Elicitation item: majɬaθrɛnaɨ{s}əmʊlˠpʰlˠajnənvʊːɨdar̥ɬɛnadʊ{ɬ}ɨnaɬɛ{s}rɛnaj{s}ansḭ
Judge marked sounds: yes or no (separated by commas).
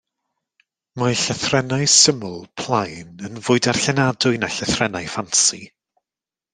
yes, no, no, no